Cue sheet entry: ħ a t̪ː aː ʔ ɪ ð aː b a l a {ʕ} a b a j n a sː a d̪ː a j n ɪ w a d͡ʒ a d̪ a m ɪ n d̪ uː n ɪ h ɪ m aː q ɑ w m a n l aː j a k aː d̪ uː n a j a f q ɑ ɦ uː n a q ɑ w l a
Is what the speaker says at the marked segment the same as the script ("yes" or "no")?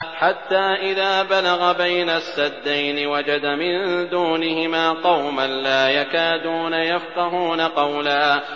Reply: no